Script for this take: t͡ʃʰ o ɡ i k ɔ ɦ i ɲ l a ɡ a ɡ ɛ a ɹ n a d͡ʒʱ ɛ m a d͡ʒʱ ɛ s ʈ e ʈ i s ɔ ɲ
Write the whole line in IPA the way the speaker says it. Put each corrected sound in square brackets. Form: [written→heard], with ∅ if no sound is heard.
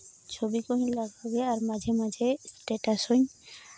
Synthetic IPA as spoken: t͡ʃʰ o [ɡ→b] i k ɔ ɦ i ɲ l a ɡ a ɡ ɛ a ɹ [n→m] a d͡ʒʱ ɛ m a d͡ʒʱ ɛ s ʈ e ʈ [i→a] s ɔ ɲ